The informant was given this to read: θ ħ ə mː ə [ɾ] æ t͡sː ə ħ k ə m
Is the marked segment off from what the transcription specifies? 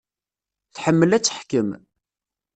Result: yes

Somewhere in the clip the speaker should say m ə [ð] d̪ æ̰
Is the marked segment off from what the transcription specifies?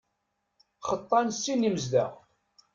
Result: yes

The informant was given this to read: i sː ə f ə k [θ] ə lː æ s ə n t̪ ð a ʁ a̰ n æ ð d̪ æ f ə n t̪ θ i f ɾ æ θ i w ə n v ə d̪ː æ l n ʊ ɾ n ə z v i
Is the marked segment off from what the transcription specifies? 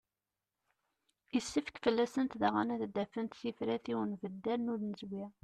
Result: yes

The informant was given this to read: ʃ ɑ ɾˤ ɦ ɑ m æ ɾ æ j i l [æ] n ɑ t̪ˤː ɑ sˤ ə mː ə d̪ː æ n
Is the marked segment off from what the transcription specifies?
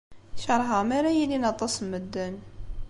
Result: yes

